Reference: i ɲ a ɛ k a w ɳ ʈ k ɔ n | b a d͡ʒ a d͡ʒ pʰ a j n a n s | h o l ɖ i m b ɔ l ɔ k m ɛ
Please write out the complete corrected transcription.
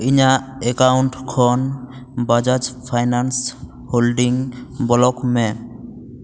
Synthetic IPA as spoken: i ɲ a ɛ k a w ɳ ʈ kʰ ɔ n | b a d͡ʒ a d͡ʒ pʰ a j n a n s | h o l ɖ i ŋ b ɔ l ɔ k m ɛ